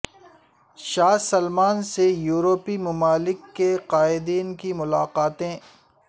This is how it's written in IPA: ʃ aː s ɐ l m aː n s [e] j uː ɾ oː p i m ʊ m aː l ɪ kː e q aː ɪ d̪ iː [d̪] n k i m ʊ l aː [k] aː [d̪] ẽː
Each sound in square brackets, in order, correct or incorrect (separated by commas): correct, incorrect, incorrect, incorrect